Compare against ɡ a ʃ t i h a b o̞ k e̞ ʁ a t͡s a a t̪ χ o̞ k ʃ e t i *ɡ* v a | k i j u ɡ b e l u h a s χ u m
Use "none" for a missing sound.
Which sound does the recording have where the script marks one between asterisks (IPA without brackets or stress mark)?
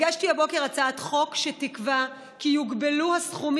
k